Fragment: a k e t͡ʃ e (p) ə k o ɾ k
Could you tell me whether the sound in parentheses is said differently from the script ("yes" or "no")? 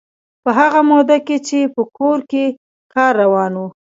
no